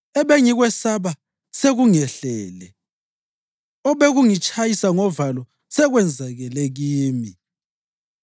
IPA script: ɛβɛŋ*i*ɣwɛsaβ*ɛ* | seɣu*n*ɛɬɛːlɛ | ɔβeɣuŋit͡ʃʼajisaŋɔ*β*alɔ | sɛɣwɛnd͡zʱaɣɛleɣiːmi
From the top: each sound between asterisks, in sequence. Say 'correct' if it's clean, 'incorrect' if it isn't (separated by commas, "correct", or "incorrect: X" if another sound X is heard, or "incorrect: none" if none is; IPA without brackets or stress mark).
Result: correct, incorrect: a, incorrect: ŋ, incorrect: v